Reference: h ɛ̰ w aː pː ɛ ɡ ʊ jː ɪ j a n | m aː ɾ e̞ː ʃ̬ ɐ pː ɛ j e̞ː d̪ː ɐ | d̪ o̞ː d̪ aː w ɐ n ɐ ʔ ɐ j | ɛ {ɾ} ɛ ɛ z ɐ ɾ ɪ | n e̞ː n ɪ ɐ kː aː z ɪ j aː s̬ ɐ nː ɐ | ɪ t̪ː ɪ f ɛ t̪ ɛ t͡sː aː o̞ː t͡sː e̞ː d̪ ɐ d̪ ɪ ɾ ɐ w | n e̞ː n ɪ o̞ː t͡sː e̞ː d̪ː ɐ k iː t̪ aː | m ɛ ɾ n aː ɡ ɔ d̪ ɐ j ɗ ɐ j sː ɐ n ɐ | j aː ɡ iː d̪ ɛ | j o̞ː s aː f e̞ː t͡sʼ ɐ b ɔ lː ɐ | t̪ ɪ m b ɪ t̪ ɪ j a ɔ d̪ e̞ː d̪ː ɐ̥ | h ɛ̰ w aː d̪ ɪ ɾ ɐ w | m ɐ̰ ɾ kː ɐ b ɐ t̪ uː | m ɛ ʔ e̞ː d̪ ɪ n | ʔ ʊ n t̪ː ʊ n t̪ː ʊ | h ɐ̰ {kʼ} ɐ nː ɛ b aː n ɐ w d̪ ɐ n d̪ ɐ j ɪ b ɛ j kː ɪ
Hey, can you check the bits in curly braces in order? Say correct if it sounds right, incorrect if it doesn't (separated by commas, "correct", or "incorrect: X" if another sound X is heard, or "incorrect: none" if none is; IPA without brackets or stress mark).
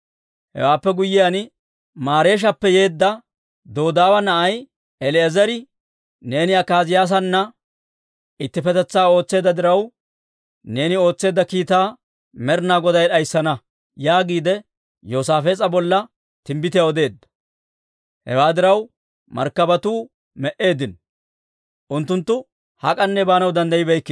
incorrect: l, correct